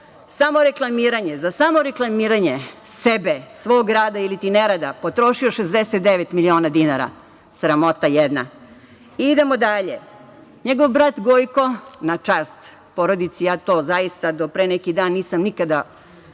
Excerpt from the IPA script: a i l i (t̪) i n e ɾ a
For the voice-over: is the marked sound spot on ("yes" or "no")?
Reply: yes